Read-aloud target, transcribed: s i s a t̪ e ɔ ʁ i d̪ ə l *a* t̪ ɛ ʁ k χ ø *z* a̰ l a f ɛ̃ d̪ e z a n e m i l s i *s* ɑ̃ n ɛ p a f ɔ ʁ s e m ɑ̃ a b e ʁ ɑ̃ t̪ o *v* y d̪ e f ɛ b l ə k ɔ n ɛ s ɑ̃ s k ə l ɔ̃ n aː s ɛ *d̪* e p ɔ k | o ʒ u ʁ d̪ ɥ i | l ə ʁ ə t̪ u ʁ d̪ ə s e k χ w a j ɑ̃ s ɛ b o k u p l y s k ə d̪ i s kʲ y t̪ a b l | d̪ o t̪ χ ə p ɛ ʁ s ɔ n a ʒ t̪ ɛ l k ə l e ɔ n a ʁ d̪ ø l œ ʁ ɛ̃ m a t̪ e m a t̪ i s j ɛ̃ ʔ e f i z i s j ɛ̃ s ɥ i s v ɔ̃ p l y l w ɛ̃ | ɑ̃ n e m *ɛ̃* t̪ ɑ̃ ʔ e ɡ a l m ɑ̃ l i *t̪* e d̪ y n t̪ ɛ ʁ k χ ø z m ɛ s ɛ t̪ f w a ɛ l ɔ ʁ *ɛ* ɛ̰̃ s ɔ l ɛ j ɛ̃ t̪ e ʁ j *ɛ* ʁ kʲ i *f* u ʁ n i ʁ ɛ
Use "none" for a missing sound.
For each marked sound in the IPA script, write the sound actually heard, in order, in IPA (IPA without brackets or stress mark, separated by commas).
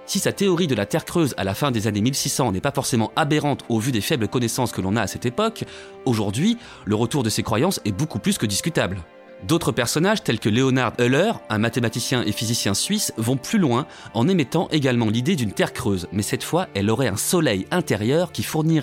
a, z, s, v, t̪, ɛ, d̪, ɛ, œ, f